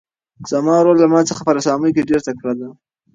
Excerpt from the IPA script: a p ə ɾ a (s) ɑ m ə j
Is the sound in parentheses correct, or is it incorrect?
correct